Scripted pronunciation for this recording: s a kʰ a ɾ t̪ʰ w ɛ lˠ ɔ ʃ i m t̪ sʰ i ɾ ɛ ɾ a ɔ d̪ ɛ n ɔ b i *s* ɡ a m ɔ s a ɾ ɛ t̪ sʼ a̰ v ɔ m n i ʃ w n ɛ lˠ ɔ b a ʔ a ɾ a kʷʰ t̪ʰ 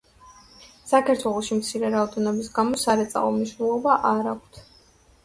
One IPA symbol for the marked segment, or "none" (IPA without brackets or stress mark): s